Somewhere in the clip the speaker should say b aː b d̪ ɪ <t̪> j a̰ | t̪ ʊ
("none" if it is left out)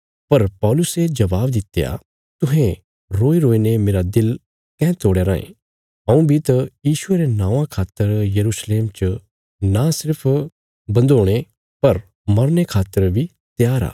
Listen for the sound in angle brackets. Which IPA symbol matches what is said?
t̪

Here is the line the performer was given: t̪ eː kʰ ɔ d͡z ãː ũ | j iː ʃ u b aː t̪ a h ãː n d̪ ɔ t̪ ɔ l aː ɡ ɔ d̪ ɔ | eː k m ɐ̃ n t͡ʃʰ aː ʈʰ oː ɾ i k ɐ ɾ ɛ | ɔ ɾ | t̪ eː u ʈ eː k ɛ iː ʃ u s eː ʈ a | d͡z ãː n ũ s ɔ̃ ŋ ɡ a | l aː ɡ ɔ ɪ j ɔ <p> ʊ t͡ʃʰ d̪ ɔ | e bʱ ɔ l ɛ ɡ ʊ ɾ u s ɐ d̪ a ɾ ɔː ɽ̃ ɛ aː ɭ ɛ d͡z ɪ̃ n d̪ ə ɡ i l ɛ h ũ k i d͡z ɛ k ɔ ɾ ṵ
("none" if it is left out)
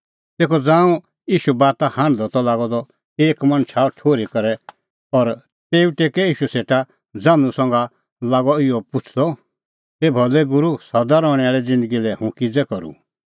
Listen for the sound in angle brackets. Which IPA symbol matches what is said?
p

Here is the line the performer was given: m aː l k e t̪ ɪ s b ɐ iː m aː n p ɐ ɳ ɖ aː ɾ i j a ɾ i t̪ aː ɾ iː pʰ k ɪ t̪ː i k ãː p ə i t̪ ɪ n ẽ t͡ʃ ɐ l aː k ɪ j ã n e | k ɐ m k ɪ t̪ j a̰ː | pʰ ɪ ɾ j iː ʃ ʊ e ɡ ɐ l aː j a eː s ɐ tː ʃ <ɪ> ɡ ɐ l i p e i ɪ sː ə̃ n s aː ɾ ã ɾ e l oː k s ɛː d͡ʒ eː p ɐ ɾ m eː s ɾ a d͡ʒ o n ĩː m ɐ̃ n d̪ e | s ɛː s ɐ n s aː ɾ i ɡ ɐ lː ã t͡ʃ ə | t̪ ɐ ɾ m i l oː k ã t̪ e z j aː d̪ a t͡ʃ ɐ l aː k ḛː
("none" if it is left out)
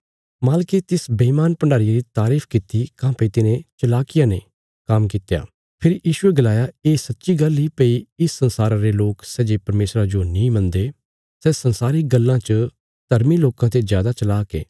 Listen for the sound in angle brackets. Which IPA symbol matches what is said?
i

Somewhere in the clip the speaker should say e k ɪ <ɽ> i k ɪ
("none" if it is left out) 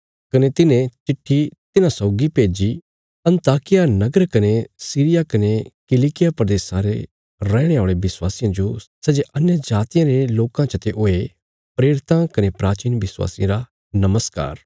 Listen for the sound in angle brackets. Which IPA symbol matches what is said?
l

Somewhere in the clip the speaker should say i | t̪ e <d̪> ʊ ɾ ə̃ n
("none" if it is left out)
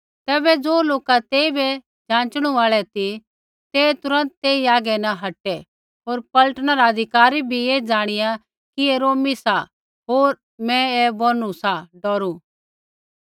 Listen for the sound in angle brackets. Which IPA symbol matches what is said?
t̪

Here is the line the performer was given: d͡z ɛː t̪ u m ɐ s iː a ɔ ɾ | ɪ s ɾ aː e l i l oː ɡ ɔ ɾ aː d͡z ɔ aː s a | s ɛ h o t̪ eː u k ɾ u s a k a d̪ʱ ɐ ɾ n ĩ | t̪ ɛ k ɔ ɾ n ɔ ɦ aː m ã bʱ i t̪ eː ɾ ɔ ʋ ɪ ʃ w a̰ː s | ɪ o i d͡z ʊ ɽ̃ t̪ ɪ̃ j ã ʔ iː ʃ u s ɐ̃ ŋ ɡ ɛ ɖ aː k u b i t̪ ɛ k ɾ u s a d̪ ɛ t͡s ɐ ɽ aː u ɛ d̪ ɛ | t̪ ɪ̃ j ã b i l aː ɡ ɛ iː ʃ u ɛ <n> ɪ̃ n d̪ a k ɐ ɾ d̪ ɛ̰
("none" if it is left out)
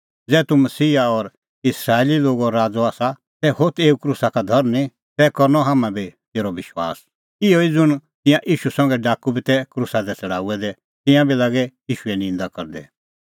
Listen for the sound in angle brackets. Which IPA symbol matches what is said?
n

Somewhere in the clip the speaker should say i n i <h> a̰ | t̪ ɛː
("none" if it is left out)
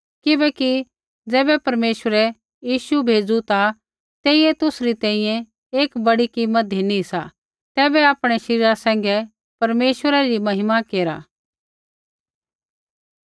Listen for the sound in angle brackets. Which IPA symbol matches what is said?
s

